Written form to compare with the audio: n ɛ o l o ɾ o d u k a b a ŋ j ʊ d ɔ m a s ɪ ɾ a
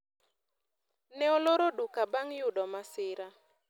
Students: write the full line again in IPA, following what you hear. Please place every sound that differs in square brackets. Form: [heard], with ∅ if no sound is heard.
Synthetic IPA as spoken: n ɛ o l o ɾ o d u k a b a ŋ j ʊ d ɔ m a s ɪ ɾ a